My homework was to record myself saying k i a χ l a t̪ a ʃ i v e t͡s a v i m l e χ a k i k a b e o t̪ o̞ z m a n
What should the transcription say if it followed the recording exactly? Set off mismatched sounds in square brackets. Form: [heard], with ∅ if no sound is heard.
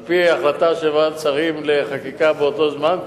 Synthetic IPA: [p] i a χ l a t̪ a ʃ [e] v [a] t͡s a [ʁ] i m l e χ a k i k a b e o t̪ o̞ z m a n

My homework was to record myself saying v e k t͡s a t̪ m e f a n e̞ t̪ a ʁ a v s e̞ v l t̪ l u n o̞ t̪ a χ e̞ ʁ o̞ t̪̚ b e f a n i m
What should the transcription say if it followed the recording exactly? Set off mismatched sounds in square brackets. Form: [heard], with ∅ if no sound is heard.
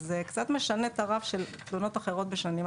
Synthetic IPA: [z] e k t͡s a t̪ m e [ʃ] a n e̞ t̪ a ʁ a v [ʃ] e̞ [∅] l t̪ l u n o̞ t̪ a χ e̞ ʁ o̞ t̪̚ b e [ʃ] a n i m

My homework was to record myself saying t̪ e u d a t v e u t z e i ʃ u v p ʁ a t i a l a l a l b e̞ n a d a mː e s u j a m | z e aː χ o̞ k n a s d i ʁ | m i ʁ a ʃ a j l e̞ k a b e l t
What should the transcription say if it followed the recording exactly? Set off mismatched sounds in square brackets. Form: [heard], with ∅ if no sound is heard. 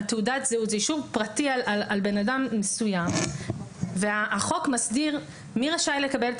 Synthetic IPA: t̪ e u d a t [z] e u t z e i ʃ u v p ʁ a t i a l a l a l b e̞ n a d a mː e s u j a m | [v] e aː χ o̞ k [m] a s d i ʁ | m i ʁ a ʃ a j l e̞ k a b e l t

